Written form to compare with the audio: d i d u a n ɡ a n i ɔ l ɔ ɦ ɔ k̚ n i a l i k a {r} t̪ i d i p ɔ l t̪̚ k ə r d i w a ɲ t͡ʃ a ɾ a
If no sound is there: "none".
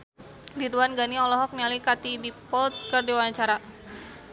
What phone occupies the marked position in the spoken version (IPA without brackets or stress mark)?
none